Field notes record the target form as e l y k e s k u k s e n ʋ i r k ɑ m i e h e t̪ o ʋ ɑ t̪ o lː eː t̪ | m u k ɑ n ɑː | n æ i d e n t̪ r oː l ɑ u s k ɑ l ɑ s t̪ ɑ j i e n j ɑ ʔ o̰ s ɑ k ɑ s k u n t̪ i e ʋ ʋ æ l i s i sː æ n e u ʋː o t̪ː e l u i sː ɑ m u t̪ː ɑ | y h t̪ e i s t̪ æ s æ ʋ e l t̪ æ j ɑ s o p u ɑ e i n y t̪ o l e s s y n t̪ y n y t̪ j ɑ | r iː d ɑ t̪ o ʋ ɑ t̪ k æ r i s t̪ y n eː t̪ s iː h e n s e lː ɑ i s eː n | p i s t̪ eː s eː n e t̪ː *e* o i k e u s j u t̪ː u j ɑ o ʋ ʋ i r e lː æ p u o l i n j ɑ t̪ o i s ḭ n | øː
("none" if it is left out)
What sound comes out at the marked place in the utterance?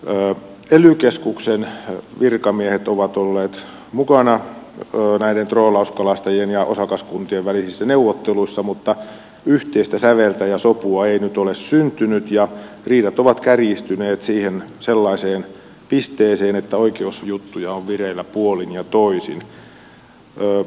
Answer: æ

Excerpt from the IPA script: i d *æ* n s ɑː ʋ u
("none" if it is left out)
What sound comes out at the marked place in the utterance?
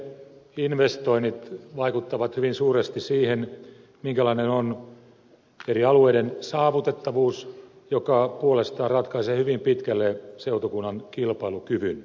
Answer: e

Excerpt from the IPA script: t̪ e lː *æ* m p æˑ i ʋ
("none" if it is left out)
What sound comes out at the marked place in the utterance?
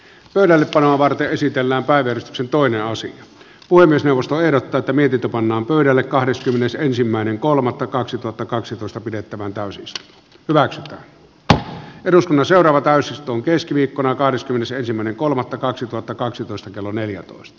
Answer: æː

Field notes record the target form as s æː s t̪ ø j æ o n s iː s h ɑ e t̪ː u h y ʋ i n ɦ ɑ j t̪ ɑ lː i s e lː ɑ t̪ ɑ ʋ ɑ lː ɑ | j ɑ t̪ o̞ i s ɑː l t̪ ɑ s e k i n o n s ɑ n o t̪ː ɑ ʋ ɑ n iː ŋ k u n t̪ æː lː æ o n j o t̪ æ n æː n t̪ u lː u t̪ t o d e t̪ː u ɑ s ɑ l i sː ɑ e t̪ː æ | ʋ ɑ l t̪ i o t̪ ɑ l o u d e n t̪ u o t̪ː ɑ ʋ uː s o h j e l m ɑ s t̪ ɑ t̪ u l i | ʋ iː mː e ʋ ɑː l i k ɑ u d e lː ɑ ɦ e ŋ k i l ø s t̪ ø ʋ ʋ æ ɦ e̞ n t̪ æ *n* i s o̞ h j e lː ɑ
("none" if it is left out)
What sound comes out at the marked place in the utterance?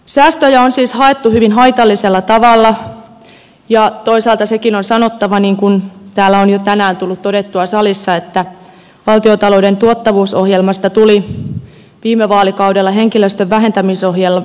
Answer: m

